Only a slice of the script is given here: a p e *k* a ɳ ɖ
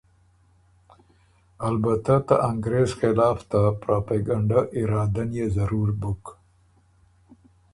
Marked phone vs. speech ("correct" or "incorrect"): incorrect